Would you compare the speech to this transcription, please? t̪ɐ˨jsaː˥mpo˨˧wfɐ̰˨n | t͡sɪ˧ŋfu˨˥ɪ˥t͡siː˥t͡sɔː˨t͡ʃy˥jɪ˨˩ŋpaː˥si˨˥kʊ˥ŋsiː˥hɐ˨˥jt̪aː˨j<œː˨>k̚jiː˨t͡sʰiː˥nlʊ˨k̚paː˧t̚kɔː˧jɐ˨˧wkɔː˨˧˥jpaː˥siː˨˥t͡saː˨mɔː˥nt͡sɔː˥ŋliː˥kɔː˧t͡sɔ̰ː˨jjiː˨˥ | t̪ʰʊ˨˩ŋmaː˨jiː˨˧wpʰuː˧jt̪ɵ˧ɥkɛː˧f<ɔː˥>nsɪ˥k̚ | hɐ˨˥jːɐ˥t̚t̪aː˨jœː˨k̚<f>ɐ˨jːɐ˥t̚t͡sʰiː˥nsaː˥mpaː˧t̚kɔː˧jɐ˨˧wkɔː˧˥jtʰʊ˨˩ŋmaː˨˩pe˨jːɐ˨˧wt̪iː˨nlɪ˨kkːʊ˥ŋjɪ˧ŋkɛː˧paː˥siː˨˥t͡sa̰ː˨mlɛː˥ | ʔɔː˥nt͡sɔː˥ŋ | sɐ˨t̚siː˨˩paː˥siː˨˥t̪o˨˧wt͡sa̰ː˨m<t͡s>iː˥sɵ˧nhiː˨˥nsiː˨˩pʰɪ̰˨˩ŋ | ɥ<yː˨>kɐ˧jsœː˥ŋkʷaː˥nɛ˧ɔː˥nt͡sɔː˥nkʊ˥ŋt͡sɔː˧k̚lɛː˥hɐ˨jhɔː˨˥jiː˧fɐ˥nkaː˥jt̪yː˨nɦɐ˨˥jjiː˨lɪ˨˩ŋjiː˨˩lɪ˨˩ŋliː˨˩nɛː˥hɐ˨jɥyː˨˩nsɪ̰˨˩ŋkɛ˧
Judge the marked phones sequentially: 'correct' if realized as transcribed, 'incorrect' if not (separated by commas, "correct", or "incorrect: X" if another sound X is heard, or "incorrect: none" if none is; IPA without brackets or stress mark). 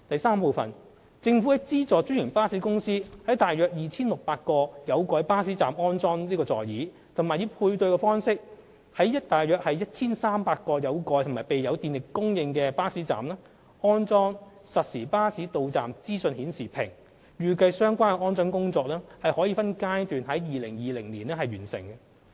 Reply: correct, correct, incorrect: h, correct, correct